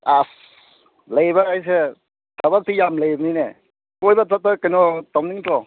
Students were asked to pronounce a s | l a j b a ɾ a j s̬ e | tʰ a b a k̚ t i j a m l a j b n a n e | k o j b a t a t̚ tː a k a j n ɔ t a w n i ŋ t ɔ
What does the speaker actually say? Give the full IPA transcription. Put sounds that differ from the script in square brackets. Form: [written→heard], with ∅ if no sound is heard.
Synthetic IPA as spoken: a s | l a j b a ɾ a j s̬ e | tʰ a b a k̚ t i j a m l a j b n [a→i] n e | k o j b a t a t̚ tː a k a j n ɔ t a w n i ŋ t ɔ